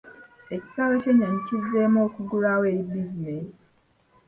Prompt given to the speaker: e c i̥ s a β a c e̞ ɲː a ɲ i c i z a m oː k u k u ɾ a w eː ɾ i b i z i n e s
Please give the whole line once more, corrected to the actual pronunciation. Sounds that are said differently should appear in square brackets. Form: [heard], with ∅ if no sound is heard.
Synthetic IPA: e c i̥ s a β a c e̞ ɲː a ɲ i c i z [e] m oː k u [ɡ] u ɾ a w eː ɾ i b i z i n e s